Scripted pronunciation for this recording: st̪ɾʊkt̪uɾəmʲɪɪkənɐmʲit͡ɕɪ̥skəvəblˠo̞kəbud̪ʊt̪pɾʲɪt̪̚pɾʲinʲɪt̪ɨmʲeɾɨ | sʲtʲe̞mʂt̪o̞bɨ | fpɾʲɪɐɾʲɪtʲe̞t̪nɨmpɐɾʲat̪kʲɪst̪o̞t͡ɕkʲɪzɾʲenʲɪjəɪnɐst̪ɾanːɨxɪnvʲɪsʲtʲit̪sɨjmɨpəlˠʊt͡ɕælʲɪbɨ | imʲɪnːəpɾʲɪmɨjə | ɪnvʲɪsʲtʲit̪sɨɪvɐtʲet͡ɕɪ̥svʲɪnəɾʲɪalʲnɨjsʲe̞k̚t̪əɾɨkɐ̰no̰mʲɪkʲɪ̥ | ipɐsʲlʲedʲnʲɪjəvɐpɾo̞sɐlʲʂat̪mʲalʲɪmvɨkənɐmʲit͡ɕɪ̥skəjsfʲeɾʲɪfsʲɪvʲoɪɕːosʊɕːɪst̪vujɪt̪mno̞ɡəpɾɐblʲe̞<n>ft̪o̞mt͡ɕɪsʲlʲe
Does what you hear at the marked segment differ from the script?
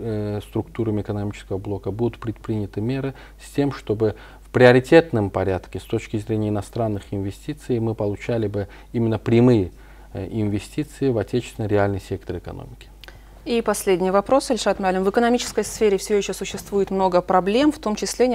yes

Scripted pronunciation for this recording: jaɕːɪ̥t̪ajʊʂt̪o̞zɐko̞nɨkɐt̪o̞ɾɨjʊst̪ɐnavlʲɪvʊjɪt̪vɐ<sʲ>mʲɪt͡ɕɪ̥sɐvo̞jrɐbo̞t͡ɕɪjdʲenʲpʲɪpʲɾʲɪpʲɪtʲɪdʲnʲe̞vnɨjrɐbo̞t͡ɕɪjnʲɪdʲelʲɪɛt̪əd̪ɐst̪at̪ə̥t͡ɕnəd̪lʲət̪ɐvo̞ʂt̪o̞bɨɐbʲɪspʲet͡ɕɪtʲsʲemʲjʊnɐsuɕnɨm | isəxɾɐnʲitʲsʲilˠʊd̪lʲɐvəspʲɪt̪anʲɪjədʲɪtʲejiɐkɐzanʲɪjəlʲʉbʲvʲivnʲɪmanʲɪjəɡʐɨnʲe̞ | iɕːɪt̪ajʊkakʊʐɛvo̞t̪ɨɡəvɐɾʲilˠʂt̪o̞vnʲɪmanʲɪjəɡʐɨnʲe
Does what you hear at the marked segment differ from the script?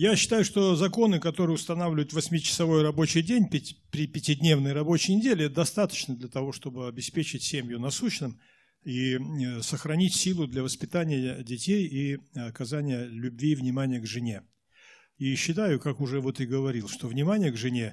no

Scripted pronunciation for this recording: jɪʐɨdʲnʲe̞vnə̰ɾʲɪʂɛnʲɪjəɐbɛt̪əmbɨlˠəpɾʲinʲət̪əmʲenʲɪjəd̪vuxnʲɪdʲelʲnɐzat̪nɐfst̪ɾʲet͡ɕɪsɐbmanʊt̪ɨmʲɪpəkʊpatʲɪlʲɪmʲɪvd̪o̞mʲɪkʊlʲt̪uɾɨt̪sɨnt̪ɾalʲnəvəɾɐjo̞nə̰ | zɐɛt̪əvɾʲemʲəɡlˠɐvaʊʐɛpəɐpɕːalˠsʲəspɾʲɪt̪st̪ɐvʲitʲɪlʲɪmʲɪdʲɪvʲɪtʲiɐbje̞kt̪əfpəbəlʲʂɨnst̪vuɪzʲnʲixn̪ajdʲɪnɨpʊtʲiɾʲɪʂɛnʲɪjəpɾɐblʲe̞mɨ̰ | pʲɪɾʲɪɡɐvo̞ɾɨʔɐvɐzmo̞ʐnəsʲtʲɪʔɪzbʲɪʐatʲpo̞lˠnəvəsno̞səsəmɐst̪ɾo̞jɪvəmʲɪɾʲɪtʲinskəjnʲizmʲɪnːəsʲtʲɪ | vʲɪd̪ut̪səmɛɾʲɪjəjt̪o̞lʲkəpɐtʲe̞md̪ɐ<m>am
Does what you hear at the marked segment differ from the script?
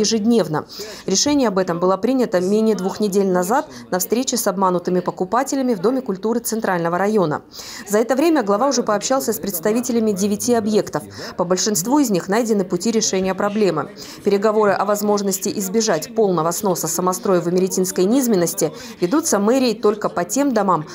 no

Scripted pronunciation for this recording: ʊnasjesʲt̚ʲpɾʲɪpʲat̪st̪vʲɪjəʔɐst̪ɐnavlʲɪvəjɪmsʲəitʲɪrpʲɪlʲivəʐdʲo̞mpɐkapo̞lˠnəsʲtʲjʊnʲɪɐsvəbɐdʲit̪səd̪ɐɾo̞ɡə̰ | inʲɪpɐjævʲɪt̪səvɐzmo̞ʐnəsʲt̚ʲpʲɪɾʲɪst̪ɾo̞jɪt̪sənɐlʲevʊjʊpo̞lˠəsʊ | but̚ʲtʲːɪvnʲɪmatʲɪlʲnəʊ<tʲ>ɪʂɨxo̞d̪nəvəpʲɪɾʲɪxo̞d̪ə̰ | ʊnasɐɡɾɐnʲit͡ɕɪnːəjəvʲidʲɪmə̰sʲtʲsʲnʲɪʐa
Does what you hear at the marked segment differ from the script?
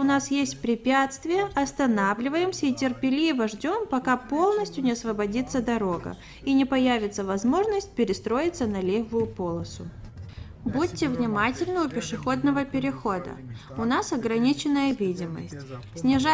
yes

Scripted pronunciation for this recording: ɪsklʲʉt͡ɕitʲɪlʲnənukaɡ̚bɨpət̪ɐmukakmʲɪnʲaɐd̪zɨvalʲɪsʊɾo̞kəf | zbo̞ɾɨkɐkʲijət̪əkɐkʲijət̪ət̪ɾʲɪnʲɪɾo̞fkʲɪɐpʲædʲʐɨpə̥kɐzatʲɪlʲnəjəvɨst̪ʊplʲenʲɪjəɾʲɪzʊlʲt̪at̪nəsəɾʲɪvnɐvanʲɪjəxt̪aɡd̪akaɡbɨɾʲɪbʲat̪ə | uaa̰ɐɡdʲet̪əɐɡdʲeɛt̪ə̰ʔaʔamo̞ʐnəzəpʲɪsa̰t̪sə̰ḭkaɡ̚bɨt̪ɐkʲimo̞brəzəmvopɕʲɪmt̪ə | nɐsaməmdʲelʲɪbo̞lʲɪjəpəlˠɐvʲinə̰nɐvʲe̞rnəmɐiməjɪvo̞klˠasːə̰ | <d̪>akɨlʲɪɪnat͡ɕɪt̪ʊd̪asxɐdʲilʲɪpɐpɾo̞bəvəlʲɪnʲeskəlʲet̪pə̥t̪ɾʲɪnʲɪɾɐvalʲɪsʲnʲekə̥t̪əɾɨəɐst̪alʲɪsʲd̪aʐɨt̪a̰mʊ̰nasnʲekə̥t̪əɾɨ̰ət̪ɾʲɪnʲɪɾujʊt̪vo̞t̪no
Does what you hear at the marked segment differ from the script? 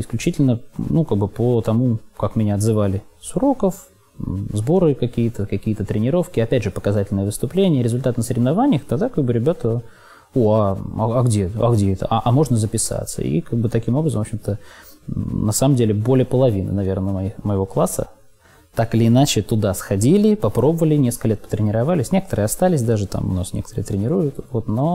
yes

